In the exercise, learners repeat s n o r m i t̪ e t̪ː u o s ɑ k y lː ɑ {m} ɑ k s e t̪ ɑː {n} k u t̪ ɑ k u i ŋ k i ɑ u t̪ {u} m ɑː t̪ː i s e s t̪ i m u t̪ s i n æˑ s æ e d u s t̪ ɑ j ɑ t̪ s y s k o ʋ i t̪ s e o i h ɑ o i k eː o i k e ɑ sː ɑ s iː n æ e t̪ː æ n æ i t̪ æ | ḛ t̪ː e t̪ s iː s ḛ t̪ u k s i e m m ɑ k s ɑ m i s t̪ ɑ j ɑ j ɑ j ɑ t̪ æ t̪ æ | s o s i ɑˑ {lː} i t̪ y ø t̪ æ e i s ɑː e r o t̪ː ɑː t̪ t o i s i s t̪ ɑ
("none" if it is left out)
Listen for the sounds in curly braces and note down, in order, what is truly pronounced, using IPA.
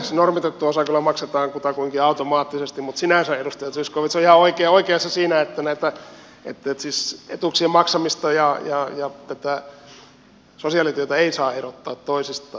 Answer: m, ŋ, o, l

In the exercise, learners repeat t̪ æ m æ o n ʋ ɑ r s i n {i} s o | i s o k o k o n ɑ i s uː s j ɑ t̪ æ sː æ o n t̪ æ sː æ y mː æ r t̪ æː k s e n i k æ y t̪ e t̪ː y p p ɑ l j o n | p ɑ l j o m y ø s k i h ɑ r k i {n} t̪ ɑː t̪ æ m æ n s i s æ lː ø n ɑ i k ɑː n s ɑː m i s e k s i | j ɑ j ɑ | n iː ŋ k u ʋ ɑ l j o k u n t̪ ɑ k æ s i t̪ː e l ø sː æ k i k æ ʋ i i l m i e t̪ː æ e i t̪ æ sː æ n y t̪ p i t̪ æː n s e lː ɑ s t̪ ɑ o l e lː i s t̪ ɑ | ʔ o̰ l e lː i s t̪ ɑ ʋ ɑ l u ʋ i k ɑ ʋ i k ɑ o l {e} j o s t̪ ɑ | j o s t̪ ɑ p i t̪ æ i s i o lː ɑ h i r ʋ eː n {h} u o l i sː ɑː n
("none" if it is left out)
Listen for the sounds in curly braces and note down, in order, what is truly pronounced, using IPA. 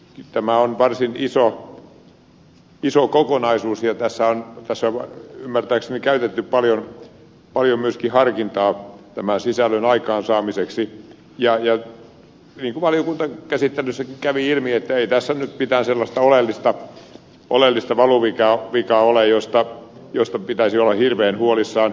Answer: i, n, e, h

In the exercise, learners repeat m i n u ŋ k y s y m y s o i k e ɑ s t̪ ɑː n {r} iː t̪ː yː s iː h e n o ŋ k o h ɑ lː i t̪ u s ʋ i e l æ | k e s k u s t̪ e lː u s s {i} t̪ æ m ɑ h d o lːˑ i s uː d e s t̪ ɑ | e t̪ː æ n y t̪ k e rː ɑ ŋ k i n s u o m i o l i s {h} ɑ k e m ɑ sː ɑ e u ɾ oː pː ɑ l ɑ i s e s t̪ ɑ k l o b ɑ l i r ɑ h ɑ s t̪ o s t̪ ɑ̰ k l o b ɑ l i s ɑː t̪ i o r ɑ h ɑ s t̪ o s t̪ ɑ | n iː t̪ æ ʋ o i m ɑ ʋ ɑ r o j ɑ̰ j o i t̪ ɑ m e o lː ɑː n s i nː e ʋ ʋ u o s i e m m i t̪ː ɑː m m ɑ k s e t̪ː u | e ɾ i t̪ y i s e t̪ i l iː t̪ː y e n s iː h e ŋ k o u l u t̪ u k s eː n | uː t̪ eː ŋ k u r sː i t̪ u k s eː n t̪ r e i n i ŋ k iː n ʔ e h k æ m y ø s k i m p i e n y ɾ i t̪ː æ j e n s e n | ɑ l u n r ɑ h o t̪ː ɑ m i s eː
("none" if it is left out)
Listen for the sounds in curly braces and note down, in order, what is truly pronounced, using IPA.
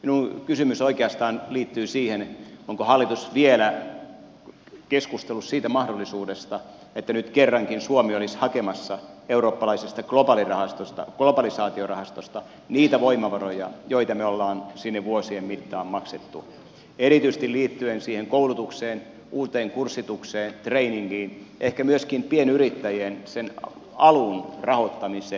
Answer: l, iː, h

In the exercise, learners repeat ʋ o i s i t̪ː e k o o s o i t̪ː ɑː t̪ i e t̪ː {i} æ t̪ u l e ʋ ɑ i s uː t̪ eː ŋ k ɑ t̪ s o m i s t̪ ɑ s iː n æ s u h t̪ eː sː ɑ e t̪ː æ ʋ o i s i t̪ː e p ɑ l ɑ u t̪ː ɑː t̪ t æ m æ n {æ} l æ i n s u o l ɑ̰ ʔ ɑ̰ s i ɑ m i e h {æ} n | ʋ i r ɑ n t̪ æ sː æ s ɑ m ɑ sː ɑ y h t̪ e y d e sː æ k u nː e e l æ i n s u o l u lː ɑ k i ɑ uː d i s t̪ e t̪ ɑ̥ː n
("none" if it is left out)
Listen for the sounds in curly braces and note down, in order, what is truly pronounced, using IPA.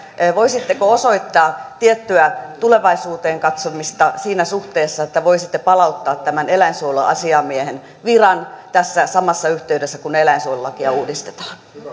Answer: y, e, e

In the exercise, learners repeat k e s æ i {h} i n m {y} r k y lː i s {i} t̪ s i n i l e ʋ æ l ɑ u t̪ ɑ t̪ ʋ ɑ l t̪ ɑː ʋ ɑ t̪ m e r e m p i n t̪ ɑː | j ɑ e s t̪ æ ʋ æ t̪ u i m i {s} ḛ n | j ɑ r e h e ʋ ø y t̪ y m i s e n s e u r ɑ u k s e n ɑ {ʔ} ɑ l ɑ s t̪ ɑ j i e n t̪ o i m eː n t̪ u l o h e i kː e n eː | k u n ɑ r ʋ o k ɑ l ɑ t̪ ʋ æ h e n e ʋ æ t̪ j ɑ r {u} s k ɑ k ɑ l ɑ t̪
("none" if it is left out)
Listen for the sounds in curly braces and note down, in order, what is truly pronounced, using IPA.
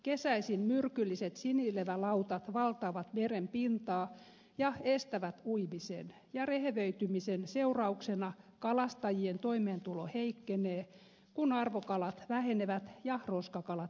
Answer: s, y, e, s, k, o

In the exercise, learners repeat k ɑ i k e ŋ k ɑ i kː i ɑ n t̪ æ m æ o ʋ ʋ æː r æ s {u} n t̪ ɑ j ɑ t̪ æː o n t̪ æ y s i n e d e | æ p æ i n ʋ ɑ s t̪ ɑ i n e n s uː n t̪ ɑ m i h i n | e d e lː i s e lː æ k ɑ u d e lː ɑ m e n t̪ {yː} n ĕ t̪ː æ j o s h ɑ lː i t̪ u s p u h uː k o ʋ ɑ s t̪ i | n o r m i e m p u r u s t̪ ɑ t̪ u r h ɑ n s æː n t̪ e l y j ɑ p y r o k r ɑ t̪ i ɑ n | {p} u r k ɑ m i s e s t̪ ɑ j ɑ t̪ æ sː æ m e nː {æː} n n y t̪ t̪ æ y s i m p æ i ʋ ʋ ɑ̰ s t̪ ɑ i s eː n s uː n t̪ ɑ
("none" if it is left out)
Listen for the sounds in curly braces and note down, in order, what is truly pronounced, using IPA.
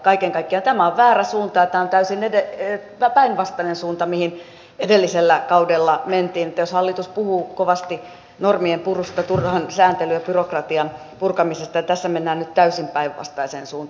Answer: uː, iː, p, æː

